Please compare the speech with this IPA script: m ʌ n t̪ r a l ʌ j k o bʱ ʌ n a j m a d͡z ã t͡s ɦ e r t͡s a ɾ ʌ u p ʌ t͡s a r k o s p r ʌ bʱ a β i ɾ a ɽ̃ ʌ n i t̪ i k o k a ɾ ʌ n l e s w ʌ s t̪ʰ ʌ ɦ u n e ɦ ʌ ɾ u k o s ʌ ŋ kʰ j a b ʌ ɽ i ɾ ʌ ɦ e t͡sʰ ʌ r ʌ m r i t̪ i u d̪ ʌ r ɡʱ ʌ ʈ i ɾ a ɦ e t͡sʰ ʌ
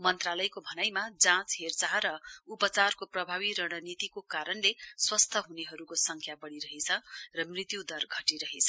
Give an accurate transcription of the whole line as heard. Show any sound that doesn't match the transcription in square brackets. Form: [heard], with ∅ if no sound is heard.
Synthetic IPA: m ʌ n t̪ r a l ʌ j k o bʱ ʌ n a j m a d͡z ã t͡s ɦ e r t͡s a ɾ ʌ u p ʌ t͡s a r k o [∅] p r ʌ bʱ a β i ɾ [ʌ] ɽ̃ ʌ n i t̪ i k o k a ɾ ʌ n l e s w ʌ s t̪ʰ ʌ ɦ u n e ɦ ʌ ɾ u k o s ʌ ŋ kʰ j a b ʌ ɽ i ɾ ʌ ɦ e t͡sʰ ʌ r ʌ m r i t̪ [j] u d̪ ʌ r ɡʱ ʌ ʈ i ɾ [ʌ] ɦ e t͡sʰ ʌ